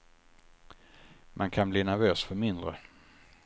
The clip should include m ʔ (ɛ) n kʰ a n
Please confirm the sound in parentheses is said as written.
no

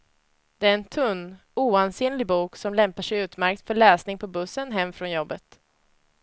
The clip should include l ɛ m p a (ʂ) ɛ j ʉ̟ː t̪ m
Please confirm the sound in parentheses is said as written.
yes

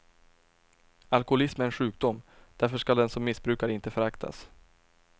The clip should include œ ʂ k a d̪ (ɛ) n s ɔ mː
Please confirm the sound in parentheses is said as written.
yes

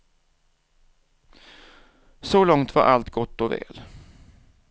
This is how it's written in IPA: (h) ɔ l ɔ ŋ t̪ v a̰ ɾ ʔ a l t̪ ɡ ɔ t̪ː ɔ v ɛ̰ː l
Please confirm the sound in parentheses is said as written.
no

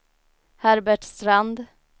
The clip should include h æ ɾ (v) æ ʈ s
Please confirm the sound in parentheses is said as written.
no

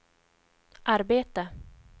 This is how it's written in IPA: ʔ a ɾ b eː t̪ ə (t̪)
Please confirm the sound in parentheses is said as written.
no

